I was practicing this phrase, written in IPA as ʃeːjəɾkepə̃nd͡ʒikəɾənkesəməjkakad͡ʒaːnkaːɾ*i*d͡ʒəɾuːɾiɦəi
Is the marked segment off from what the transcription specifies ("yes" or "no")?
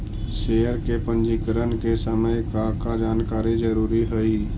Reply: no